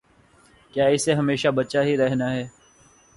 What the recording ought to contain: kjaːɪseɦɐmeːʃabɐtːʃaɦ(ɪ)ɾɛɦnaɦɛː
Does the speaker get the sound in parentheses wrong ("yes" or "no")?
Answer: yes